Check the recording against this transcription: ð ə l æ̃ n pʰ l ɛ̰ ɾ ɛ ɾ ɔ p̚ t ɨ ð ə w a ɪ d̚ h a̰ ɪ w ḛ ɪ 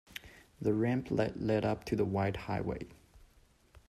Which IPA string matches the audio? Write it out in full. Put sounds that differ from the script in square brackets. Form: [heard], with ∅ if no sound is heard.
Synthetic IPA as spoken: ð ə [ɹ] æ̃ [m] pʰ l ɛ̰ [l] ɛ ɾ [ʌ] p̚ [tʰ] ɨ ð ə w a ɪ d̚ h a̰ ɪ w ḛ ɪ